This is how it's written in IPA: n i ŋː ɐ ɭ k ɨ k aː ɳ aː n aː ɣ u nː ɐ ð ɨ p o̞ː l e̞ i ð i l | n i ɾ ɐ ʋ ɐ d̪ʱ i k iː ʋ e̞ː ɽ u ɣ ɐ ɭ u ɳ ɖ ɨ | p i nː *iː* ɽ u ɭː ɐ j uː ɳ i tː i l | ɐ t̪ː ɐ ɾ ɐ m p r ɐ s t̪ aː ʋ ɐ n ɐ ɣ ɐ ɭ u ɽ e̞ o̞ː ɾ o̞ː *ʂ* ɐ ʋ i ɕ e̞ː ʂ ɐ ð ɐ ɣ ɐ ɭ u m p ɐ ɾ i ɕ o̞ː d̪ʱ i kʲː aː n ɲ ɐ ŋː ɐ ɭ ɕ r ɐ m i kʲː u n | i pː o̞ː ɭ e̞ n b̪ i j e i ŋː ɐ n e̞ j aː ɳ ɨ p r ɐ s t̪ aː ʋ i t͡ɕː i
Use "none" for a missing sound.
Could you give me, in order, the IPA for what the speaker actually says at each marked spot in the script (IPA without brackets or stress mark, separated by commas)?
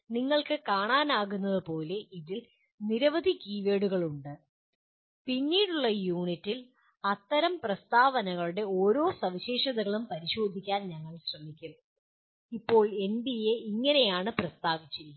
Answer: iː, s